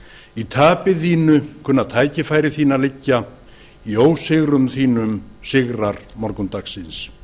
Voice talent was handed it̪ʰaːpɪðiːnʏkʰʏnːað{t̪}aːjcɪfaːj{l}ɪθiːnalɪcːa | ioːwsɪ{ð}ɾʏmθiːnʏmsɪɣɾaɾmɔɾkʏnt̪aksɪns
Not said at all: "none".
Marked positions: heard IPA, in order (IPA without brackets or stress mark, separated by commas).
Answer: t̪ʰ, ɾ, ɣ